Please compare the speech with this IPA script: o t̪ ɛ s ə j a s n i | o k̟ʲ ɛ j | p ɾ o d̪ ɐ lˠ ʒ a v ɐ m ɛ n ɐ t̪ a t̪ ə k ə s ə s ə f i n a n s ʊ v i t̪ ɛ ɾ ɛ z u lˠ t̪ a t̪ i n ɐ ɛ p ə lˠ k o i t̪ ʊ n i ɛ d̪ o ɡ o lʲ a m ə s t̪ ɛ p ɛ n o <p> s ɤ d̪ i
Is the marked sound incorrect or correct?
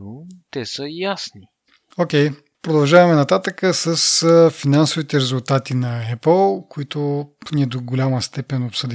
correct